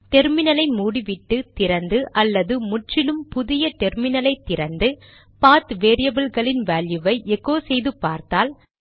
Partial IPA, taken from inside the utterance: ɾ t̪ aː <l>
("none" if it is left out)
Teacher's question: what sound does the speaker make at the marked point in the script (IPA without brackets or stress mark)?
l